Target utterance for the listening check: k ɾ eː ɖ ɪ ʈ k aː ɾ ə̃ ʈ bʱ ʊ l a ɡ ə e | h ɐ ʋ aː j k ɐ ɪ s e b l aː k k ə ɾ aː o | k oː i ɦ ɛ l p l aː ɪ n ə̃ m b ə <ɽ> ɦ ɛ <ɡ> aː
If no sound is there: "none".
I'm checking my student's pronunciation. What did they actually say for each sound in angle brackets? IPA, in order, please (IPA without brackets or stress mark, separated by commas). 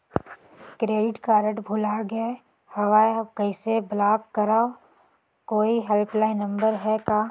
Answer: ɾ, k